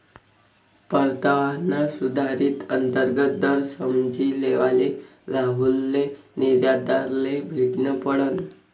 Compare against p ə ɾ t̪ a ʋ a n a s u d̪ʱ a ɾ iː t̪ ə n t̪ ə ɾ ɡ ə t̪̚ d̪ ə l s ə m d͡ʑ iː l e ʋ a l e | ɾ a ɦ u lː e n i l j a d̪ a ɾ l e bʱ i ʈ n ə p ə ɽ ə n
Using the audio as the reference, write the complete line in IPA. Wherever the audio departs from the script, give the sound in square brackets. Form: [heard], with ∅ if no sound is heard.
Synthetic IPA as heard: p ə ɾ t̪ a ʋ a n a s u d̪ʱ a ɾ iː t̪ ə n t̪ ə ɾ ɡ ə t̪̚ d̪ ə [ɾ] s ə m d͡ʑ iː l e ʋ a l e | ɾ a ɦ u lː e n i [ɾ] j a d̪ a ɾ l e bʱ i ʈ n ə p ə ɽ ə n

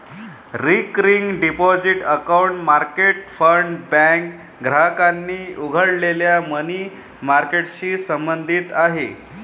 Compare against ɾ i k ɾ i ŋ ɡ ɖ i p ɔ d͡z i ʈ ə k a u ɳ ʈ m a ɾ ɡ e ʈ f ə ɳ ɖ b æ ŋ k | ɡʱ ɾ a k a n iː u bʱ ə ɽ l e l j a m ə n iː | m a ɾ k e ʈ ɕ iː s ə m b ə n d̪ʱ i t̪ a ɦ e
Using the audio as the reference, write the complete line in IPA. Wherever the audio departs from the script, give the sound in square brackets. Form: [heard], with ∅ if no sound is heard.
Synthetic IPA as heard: ɾ i k ɾ i ŋ ɡ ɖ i p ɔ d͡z i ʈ ə k a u ɳ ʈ m a ɾ [k] e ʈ f ə ɳ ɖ b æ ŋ k | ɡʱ ɾ a k a [nː] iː u [ɡʱ] ə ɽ l e l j a m ə n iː | m a ɾ k e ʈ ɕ iː s ə m b ə n d̪ʱ i t̪ a ɦ e

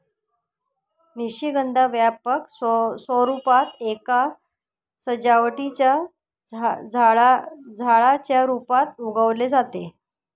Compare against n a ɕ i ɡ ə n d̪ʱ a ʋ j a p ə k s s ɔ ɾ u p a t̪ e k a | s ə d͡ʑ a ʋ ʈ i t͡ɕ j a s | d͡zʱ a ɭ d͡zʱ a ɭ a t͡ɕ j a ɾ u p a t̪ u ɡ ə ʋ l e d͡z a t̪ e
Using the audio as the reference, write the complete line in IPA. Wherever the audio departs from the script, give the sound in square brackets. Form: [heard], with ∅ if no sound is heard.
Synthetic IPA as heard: n [i] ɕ i ɡ ə n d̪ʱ a ʋ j a p ə k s s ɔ ɾ u p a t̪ e k a | s ə d͡ʑ a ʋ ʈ i t͡ɕ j a [∅] | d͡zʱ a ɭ d͡zʱ a ɭ a t͡ɕ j a ɾ u p a t̪ u ɡ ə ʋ l e d͡z a t̪ e

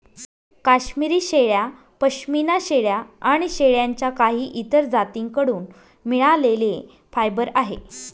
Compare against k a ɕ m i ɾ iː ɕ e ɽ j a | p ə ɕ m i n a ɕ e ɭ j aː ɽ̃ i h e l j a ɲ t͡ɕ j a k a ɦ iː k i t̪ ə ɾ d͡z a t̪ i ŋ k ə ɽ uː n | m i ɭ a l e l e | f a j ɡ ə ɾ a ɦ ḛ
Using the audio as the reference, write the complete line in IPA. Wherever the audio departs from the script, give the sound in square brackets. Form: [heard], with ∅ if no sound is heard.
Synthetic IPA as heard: k a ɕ m i ɾ iː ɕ e [ɭ] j a | p ə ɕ m i n a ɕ e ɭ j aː ɽ̃ i [ɕ] e [ɭ] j a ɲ t͡ɕ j a k a ɦ iː [ʔ] i t̪ ə ɾ d͡z a t̪ i ŋ k ə ɽ uː n | m i ɭ a l e l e | f a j [b] ə ɾ a ɦ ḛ

